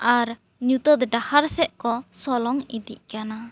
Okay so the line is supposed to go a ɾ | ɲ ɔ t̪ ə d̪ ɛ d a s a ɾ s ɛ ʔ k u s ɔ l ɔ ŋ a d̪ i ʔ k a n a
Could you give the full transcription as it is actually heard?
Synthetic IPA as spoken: a ɾ | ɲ u t̪ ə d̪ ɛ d a h a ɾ s ɛ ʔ k ɔ s ɔ l ɔ ŋ i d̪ i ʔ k a n a